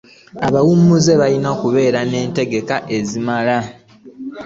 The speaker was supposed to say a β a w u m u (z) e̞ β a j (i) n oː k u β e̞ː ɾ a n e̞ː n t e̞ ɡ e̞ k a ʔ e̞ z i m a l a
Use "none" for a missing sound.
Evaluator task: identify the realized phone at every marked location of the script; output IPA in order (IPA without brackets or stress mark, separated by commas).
z, i